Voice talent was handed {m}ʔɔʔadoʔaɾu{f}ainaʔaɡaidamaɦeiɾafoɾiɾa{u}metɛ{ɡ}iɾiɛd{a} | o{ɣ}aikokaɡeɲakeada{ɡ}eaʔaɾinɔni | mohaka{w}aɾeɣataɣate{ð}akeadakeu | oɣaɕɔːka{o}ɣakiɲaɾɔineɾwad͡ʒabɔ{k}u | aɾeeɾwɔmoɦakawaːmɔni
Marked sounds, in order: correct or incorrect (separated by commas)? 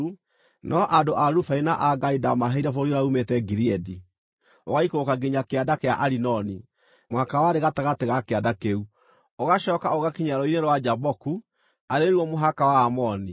incorrect, correct, correct, correct, incorrect, correct, incorrect, correct, incorrect, correct, correct